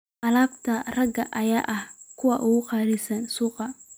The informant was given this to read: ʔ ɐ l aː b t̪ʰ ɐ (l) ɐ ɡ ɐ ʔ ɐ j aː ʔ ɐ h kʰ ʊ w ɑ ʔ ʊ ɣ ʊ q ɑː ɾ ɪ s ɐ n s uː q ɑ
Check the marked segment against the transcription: incorrect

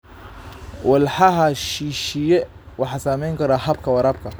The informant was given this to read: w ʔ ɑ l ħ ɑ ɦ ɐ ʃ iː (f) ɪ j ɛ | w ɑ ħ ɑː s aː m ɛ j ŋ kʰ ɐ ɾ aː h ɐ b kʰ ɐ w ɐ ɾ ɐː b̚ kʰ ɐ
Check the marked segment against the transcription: incorrect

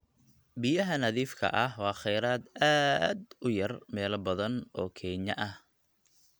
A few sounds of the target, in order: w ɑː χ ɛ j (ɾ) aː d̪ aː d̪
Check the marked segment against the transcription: correct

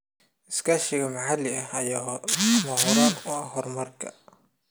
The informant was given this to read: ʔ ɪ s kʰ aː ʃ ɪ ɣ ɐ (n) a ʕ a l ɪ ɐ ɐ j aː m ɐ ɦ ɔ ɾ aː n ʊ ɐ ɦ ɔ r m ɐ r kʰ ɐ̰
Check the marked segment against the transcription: incorrect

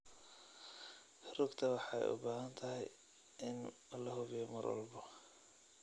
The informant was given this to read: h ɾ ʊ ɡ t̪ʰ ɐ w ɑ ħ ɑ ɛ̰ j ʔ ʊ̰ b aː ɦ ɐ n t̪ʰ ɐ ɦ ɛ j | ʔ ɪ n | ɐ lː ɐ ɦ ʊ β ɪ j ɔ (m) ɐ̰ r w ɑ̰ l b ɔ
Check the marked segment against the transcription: correct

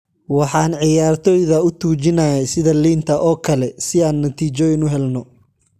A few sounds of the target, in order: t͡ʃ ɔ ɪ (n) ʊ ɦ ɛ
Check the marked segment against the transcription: correct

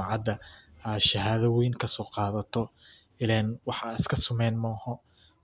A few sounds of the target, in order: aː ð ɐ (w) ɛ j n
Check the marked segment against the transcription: correct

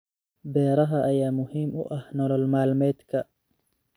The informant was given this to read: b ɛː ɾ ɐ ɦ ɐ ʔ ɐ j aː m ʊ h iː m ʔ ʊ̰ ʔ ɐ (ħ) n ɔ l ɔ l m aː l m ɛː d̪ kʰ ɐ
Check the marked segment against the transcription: incorrect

